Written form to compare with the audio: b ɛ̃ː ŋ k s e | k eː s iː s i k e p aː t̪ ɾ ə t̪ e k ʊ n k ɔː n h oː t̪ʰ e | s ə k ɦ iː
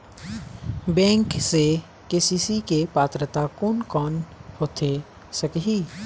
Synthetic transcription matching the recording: b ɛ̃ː ŋ k s e | k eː s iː s i k e p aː t̪ ɾ ə t̪ a k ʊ n k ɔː n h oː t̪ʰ e | s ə k ɦ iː